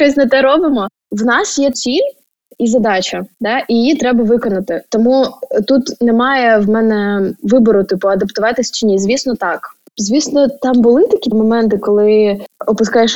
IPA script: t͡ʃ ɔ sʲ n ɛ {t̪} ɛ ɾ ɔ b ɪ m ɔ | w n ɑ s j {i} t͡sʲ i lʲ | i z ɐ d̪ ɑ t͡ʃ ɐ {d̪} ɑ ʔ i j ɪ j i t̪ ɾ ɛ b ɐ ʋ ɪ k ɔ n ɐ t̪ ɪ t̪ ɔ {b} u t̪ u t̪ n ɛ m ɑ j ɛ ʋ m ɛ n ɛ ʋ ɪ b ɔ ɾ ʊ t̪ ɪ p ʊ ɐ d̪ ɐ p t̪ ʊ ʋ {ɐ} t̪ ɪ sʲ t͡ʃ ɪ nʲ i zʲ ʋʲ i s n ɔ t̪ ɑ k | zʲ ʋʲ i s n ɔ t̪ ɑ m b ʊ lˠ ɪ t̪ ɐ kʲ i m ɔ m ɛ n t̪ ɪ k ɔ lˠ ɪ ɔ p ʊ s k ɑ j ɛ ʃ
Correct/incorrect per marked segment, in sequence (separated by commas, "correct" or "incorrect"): correct, incorrect, correct, incorrect, incorrect